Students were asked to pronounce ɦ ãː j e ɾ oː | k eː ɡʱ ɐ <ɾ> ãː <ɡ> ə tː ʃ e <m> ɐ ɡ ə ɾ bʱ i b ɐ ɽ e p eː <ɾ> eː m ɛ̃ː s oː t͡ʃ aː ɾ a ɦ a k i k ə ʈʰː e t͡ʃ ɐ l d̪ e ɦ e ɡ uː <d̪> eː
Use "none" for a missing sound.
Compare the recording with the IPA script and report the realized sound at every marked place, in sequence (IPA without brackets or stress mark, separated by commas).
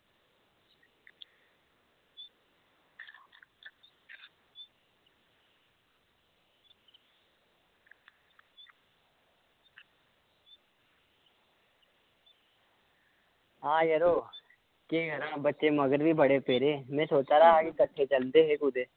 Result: ɾ, b, m, ɾ, d̪